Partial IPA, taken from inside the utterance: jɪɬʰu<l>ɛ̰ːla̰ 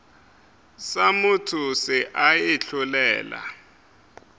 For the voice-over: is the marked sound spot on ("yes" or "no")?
yes